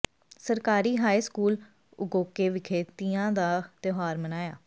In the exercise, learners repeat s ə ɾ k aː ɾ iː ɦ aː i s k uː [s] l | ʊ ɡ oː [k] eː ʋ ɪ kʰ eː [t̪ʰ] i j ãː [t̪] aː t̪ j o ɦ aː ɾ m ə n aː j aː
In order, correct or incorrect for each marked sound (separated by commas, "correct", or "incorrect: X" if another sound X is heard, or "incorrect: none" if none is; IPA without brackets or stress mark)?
incorrect: none, correct, incorrect: t̪, incorrect: d̪